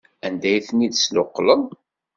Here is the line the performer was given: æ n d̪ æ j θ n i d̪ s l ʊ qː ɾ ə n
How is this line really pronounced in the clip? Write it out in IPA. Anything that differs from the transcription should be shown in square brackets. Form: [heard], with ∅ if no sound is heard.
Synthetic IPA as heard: æ n d̪ æ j θ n i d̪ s l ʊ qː [l] ə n